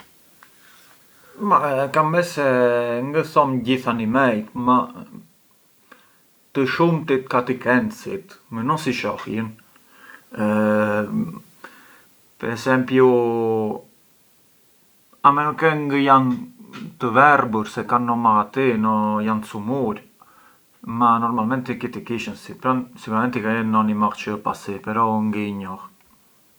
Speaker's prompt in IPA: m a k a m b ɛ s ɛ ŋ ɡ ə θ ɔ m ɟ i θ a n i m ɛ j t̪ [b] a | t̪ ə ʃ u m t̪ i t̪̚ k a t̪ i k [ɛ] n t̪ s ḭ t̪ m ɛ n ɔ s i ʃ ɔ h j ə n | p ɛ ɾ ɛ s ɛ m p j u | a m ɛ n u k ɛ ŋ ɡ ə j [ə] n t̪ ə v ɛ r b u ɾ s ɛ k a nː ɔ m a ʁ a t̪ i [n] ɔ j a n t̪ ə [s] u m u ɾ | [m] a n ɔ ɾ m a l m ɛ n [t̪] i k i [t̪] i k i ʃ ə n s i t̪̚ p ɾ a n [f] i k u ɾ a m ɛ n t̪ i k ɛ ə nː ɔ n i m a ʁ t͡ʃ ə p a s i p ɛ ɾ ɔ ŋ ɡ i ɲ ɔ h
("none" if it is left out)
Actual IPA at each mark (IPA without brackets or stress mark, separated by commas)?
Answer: m, ɛ, a, n, s, m, t̪, t̪, s